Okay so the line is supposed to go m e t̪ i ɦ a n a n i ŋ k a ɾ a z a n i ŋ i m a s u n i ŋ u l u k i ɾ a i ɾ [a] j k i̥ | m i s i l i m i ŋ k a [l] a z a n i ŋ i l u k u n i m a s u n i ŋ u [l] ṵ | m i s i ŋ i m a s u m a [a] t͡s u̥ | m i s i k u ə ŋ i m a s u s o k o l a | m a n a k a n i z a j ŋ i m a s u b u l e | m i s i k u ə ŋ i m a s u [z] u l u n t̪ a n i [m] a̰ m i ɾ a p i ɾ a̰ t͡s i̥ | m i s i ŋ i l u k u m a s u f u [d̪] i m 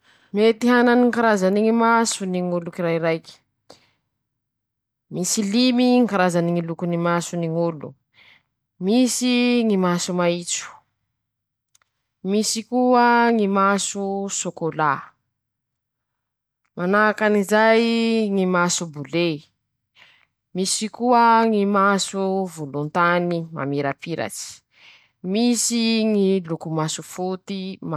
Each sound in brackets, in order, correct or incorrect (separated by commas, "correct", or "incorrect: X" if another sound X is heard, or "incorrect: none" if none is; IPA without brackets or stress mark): correct, incorrect: ɾ, correct, incorrect: i, incorrect: v, correct, incorrect: t̪